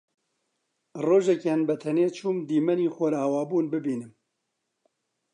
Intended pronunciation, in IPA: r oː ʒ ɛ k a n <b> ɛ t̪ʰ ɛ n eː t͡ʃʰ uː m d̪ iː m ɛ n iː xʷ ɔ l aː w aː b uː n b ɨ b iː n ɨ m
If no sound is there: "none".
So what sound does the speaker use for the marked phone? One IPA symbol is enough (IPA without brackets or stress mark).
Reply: b